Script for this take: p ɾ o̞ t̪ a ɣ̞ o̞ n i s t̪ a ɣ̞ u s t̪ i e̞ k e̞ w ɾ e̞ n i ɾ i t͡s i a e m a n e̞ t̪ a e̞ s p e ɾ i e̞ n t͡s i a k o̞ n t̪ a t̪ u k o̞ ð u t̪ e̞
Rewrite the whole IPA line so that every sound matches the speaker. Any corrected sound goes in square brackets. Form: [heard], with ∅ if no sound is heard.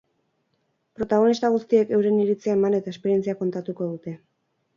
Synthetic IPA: p ɾ o̞ t̪ a ɣ̞ o̞ n i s t̪ a ɣ̞ u s t̪ i e̞ k e̞ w ɾ e̞ n i ɾ i t͡s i a e m a n e̞ t̪ a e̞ s p e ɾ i e̞ n t͡s i a k o̞ n t̪ a t̪ u k o̞ ð u t̪ e̞

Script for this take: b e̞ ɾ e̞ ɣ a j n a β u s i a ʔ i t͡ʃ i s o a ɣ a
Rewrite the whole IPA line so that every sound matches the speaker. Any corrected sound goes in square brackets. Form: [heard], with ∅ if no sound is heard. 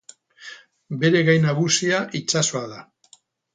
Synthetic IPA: b e̞ ɾ e̞ ɣ a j n a β u s i a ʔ i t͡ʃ [a] s o a [ð] a

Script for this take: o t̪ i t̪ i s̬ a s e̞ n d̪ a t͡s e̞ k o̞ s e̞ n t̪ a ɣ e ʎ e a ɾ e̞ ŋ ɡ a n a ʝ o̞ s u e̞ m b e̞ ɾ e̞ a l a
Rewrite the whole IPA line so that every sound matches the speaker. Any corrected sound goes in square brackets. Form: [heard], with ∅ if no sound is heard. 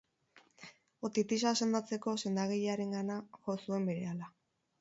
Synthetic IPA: o t̪ i t̪ i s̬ a s e̞ n d̪ a t͡s e̞ k o̞ s e̞ n [d̪] a ɣ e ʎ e a ɾ e̞ ŋ ɡ a n a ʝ o̞ s u e̞ m b e̞ ɾ e̞ a l a

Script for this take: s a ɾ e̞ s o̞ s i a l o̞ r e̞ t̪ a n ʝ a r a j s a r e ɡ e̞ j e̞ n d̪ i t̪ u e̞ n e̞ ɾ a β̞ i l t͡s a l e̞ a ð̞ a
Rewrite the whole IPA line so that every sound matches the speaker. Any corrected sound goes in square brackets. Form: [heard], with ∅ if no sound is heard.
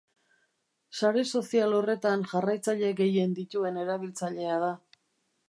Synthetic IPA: s a ɾ e̞ s o̞ s i a l o̞ r e̞ t̪ a n ʝ a r a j [t͡s] a [ʎ] e ɡ e̞ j e̞ n d̪ i t̪ u e̞ n e̞ ɾ a β̞ i l t͡s a [ʎ] e̞ a ð̞ a

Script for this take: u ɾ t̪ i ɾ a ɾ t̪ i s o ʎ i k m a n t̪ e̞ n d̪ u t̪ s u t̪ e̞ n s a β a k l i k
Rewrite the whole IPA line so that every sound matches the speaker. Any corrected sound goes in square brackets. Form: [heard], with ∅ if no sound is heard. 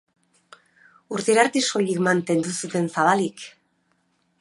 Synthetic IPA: u ɾ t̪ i ɾ a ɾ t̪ i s o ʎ i k m a n t̪ e̞ n d̪ u [∅] s u t̪ e̞ n s a β a [∅] l i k

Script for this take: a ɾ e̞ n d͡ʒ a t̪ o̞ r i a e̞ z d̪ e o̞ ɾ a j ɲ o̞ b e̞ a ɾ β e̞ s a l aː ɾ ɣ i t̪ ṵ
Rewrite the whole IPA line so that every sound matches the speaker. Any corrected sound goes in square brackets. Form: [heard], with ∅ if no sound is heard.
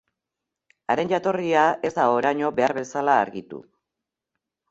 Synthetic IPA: a ɾ e̞ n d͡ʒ a t̪ o̞ r i a e̞ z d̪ [a] o̞ ɾ a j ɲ o̞ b e̞ a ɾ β e̞ s a l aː ɾ ɣ i t̪ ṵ

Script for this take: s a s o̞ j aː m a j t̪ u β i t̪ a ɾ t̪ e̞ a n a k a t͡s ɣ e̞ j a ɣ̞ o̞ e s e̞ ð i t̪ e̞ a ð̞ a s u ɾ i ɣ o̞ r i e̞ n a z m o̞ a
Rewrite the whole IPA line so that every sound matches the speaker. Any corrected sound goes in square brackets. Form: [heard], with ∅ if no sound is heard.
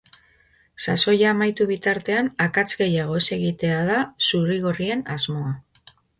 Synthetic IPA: s a s o̞ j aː m a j t̪ u β i t̪ a ɾ t̪ e̞ a n a k a t͡s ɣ e̞ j a ɣ̞ o̞ e s e̞ [ɣ] i t̪ e̞ a ð̞ a s u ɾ i ɣ o̞ r i e̞ n a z m o̞ a

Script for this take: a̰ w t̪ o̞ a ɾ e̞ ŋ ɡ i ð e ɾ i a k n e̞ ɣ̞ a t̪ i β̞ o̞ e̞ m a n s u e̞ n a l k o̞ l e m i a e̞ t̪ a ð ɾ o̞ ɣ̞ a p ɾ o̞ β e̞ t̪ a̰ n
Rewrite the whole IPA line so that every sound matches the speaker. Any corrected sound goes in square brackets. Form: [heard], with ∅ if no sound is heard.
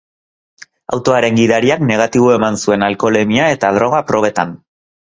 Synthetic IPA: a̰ w t̪ o̞ a ɾ e̞ ŋ ɡ i ð [a] ɾ i a k n e̞ ɣ̞ a t̪ i β̞ o̞ e̞ m a n s u e̞ n a l k o̞ l e m i a e̞ t̪ a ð ɾ o̞ ɣ̞ a p ɾ o̞ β e̞ t̪ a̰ n

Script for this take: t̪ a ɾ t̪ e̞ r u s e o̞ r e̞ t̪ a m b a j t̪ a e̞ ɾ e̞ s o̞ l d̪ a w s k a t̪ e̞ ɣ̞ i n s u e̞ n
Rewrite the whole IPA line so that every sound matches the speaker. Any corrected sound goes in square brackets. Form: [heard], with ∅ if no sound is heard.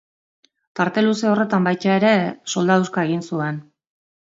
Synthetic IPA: t̪ a ɾ t̪ e̞ [l] u s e o̞ r e̞ t̪ a m b a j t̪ a e̞ ɾ e̞ s o̞ l d̪ a w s k a [∅] e̞ ɣ̞ i n s u e̞ n

